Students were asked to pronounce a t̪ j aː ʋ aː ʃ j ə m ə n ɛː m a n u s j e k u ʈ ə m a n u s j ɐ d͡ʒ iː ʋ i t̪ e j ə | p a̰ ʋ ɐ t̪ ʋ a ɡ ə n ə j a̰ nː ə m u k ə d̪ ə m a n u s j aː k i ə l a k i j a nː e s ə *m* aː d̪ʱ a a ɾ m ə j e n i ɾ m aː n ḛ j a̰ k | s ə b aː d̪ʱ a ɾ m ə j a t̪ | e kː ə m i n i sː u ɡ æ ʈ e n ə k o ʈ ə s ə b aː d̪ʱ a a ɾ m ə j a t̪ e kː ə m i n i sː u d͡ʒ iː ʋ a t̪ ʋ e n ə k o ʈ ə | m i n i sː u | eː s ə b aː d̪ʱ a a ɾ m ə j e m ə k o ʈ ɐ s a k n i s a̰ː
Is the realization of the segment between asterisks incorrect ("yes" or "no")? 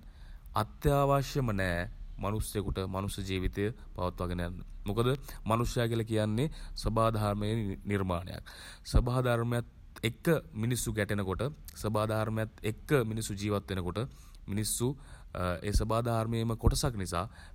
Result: yes